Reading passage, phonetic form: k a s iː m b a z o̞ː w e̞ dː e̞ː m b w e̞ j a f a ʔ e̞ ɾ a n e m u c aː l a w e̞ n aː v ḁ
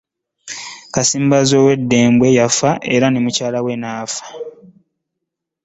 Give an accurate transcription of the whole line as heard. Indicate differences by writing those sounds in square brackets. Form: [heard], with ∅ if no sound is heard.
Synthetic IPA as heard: k a s iː m b a z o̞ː w e̞ dː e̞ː m b w e̞ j a f a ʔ e̞ ɾ a n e m u c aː l a w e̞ n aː [f] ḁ